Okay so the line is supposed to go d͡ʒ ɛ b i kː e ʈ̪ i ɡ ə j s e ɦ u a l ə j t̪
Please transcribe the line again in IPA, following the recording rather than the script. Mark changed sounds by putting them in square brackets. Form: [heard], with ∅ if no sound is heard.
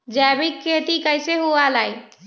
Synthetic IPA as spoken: d͡ʒ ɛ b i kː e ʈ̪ i [k] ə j s e ɦ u a l [a] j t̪